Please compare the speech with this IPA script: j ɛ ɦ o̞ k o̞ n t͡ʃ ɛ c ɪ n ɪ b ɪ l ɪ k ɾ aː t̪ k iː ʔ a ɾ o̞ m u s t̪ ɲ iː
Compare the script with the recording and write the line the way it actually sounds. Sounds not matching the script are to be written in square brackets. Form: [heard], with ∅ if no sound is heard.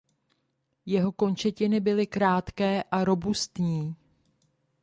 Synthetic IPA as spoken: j ɛ ɦ o̞ k o̞ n t͡ʃ ɛ c ɪ n ɪ b ɪ l ɪ k ɾ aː t̪ k [ɛː] ʔ a ɾ o̞ [b] u s t̪ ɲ iː

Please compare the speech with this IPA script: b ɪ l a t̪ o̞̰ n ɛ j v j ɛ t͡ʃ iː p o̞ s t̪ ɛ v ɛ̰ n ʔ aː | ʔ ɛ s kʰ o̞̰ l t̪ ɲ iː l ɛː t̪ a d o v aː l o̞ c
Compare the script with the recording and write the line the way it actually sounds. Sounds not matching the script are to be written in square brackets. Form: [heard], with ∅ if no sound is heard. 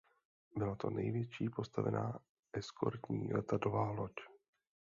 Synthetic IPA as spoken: b ɪ l a t̪ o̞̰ n ɛ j v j ɛ t͡ʃ iː p o̞ s t̪ [a] v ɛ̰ n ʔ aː | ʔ ɛ s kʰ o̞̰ [ɾ] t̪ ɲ iː l [ɛ] t̪ a d o v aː l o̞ c

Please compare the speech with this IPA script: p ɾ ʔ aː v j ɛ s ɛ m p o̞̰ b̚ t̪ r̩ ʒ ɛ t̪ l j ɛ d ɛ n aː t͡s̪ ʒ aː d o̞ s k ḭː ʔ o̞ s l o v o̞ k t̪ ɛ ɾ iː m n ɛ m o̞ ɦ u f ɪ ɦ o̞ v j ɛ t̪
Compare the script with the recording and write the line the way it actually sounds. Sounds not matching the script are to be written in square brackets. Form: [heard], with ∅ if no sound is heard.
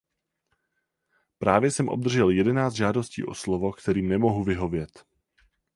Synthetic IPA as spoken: p ɾ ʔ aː v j ɛ s ɛ m [ʔ] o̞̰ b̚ [d̪] r̩ ʒ ɛ [∅] l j ɛ d ɛ n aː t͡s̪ ʒ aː d o̞ s [c] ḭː ʔ o̞ s l o v o̞ k t̪ ɛ ɾ iː m n ɛ m o̞ ɦ u [v] ɪ ɦ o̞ v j ɛ t̪

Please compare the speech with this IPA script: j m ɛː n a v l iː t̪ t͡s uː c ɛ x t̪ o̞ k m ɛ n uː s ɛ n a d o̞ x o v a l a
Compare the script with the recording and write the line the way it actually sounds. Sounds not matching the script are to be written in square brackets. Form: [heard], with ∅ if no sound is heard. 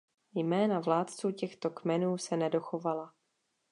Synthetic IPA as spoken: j m ɛː n a v l [aː] t̪ t͡s uː c ɛ x t̪ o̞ k m ɛ n uː s ɛ n [ɛ] d o̞ x o v a l a

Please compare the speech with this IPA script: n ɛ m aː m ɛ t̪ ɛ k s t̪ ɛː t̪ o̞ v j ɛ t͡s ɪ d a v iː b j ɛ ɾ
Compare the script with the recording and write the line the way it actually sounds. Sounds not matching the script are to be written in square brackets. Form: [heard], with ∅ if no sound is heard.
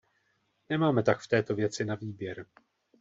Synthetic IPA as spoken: n ɛ m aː m ɛ t̪ [a] k [f] t̪ ɛː t̪ o̞ v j ɛ t͡s ɪ [n] a v iː b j ɛ ɾ

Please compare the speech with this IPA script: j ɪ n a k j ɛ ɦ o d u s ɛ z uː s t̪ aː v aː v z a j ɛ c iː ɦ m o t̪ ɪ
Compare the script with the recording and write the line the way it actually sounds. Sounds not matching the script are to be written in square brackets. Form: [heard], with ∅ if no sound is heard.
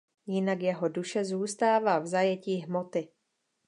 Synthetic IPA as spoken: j ɪ n a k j ɛ ɦ o d u [ʃ] ɛ z uː s t̪ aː v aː v z a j ɛ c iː ɦ m o t̪ ɪ

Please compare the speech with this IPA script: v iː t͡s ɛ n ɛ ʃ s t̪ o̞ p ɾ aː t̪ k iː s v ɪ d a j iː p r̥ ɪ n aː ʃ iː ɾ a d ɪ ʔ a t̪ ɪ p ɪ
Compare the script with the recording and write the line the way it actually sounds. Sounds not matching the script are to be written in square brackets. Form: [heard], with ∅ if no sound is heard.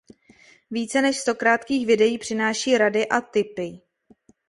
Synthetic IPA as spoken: v iː t͡s ɛ n ɛ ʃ s t̪ o̞ [k] ɾ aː t̪ k iː [x] v ɪ d [ɛ] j iː p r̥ ɪ n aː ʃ iː ɾ a d ɪ ʔ a t̪ ɪ p ɪ

